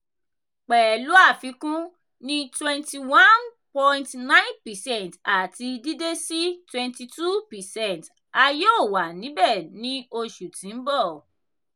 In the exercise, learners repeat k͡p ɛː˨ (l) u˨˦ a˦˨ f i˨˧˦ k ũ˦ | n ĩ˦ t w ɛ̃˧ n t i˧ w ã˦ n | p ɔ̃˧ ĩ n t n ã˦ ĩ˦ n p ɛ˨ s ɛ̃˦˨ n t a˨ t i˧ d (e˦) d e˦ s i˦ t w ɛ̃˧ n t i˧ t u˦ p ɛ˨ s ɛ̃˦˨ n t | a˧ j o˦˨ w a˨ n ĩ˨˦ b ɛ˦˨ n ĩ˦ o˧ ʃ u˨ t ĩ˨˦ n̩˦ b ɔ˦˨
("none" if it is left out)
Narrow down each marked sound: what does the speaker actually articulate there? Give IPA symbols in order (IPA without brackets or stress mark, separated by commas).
l, i˦